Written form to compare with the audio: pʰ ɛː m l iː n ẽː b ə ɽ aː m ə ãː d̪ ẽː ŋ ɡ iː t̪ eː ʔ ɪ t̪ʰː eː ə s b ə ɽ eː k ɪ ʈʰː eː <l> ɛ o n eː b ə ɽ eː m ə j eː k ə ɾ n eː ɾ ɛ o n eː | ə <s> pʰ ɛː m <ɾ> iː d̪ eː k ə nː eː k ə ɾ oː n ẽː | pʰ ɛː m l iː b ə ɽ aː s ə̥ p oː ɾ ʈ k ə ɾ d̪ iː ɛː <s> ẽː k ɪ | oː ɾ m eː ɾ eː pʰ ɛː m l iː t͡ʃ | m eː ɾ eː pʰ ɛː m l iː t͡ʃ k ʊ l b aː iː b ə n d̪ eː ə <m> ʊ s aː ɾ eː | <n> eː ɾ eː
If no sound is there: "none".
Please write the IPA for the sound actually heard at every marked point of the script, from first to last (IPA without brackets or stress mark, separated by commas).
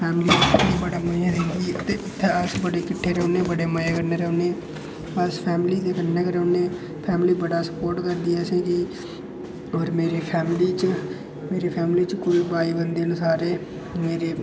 ɾ, s, l, s, n, m